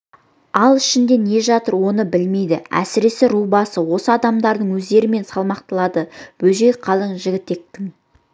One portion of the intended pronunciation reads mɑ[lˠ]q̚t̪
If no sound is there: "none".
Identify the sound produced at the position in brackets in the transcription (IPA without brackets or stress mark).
none